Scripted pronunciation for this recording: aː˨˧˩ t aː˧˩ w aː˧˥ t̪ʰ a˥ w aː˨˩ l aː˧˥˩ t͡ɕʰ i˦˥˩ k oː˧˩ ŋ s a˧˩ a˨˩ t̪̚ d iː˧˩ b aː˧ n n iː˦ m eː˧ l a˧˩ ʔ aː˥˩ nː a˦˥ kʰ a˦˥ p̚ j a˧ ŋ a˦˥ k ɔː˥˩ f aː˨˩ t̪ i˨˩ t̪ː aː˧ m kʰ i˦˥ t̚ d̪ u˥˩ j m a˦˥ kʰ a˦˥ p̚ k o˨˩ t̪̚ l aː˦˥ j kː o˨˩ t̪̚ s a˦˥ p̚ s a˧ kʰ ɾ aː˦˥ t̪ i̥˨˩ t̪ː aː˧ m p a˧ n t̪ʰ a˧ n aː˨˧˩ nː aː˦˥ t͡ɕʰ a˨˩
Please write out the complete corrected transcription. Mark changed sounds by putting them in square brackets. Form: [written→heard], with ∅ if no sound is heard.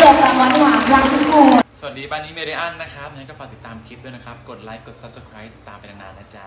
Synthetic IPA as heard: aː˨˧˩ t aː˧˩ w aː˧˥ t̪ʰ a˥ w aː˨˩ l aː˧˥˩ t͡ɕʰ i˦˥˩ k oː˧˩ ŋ s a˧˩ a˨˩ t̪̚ d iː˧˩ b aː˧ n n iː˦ m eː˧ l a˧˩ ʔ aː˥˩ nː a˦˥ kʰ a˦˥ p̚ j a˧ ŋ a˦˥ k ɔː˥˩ f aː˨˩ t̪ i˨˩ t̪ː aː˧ m kʰ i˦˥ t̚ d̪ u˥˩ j [m→n] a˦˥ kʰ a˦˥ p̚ k o˨˩ t̪̚ l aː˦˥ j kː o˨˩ t̪̚ s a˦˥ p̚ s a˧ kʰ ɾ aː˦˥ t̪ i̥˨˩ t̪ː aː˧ m p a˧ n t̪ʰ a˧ n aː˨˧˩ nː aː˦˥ [t͡ɕʰ→t͡ɕ] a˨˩